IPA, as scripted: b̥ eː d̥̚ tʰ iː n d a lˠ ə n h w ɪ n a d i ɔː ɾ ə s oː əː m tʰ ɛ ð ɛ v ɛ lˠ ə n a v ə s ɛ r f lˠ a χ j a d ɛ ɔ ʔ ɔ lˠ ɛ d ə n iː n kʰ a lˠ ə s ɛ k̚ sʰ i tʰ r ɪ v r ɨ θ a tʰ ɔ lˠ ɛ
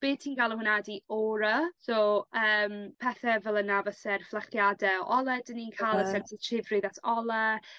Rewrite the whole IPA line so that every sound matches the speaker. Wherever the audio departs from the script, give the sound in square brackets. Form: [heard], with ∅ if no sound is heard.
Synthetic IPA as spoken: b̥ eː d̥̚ tʰ iː n [ɡ] a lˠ ə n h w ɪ n a d i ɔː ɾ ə s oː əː m [pʰ] ɛ [θ] ɛ v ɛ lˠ ə n a v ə s ɛ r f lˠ a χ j a d ɛ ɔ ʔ ɔ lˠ ɛ d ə n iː n kʰ a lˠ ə s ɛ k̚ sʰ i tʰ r ɪ v r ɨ [ð] a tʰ ɔ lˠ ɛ